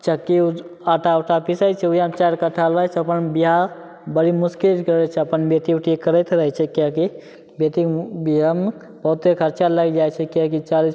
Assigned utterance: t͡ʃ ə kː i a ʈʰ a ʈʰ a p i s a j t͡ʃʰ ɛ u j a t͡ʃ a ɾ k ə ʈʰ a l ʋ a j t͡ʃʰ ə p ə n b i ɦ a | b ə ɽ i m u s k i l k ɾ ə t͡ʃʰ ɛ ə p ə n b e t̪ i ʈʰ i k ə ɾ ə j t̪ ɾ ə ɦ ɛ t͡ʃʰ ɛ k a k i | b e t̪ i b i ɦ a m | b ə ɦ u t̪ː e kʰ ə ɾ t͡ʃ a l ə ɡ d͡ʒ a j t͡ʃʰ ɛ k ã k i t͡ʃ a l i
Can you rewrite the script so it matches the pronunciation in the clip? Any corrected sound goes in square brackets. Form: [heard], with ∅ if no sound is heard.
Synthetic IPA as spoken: t͡ʃ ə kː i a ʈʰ a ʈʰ a p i s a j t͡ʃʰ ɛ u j a t͡ʃ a ɾ k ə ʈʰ a l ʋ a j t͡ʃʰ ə p ə n b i ɦ a | b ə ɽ i m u s k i l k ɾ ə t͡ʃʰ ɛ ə p ə n b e t̪ i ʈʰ i k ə ɾ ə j t̪ ɾ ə ɦ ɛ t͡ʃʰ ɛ k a k i | b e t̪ i b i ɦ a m | b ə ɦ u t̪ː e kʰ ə ɾ t͡ʃ a l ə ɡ d͡ʒ a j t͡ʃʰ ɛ k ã k i t͡ʃ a l i